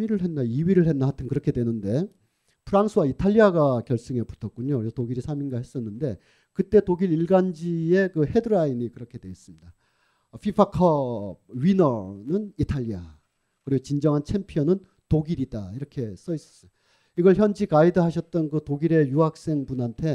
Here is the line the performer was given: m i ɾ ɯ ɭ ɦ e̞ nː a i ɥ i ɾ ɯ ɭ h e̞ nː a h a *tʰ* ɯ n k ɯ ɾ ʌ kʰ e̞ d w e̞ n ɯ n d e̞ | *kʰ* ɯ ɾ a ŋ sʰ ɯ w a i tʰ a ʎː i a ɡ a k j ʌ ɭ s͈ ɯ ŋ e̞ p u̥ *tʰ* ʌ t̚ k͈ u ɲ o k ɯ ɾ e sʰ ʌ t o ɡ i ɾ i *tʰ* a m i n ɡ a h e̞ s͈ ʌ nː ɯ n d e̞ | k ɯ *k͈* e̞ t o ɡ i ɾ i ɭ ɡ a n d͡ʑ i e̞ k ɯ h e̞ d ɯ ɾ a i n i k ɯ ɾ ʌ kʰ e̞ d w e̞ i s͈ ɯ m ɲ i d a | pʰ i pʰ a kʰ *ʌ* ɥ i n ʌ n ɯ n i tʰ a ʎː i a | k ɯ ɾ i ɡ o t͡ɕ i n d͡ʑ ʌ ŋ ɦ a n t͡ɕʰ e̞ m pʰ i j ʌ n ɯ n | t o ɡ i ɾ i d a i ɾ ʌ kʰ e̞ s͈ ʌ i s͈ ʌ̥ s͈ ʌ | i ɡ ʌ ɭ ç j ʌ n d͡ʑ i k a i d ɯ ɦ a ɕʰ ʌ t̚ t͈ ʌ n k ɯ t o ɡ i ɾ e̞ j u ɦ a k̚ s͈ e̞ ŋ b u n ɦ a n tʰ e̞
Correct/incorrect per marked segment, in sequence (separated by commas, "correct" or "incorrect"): correct, incorrect, correct, incorrect, incorrect, correct